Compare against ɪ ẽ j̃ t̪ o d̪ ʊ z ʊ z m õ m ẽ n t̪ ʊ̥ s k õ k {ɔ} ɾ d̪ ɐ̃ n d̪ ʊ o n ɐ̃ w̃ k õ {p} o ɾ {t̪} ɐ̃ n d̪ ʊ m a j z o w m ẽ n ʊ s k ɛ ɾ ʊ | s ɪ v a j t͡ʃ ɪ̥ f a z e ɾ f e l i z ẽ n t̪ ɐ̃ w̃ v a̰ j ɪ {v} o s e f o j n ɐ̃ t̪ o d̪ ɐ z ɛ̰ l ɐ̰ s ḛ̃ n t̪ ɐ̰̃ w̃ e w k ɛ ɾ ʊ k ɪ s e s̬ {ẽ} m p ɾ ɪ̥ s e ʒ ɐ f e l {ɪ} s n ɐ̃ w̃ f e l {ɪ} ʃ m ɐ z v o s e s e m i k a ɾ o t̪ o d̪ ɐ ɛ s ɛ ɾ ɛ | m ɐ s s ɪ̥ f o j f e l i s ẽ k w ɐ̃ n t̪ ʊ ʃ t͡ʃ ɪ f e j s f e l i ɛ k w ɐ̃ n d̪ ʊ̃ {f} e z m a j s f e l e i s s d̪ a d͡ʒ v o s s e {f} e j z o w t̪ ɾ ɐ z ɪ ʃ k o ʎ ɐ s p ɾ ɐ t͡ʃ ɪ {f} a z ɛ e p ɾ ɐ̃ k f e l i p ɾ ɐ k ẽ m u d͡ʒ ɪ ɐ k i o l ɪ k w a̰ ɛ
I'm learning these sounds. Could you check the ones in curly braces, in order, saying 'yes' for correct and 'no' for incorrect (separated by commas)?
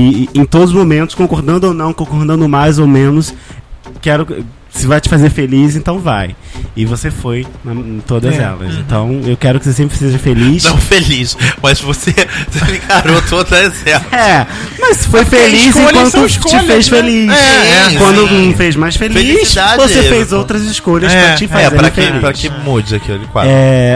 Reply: no, no, no, yes, yes, no, no, yes, yes, yes